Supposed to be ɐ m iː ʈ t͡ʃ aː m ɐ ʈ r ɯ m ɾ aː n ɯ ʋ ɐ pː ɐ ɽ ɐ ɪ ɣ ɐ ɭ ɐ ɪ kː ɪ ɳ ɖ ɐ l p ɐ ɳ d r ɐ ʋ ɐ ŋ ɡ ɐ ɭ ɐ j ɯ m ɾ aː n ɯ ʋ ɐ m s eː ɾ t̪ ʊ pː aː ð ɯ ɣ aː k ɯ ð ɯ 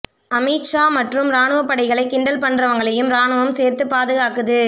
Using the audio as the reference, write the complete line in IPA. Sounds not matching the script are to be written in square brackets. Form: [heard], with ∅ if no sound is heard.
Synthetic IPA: ɐ m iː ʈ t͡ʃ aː m ɐ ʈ r ɯ m ɾ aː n ɯ ʋ ɐ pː ɐ ɽ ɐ ɪ ɣ ɐ ɭ ɐ ɪ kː ɪ ɳ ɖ ɐ l p ɐ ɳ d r ɐ ʋ ɐ ŋ ɡ ɐ ɭ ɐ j ɯ m ɾ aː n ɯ ʋ ɐ m s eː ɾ t̪ [ɯ] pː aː ð ɯ ɣ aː k ɯ ð ɯ